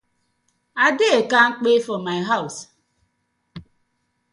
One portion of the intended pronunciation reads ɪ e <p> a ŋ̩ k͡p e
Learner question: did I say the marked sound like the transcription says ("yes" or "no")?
no